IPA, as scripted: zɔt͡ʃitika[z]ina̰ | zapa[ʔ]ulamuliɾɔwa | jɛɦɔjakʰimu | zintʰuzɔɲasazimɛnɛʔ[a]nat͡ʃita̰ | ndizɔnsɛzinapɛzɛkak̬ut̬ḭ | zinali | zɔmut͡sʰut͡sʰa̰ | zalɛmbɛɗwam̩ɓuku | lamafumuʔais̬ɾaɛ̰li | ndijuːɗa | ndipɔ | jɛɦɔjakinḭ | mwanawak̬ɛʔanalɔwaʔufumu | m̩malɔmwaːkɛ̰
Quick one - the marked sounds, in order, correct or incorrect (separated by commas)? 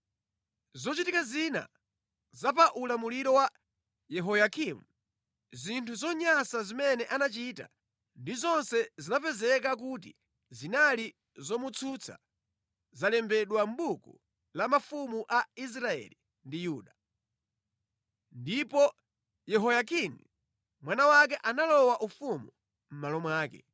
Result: correct, correct, correct